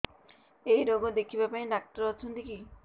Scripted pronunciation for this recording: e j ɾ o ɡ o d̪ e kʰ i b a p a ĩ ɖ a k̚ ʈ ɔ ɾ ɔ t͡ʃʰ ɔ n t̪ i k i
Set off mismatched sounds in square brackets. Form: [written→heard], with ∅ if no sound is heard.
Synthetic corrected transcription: e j ɾ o ɡ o d̪ e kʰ i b a p a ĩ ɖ a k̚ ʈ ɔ ɾ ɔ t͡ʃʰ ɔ n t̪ i k i